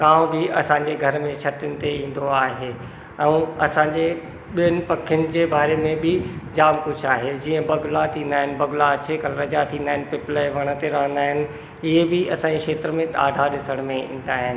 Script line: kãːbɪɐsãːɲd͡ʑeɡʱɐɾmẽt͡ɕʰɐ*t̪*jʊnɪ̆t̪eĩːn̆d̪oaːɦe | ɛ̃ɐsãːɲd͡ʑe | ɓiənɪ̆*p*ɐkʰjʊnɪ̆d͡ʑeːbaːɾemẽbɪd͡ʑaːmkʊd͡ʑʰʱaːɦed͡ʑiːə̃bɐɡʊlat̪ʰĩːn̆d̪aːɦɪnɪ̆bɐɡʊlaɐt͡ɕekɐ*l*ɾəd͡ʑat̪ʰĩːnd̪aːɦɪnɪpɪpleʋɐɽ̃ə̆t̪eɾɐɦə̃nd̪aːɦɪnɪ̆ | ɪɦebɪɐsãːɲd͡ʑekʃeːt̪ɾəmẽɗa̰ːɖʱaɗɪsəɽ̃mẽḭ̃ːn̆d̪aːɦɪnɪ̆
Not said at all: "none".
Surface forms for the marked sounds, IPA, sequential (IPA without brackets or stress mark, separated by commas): t̪, p, l